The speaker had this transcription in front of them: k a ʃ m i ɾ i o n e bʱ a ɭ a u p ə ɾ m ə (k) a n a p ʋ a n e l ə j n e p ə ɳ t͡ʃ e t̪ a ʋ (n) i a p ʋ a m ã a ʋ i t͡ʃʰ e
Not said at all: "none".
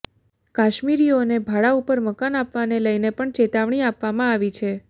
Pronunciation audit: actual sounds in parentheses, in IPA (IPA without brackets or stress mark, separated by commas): k, ɳ